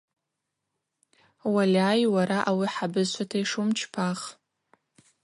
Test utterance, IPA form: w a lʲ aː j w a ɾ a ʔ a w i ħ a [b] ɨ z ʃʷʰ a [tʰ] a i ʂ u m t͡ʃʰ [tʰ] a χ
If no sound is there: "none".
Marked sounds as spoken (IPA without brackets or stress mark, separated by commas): b, tʰ, pʰ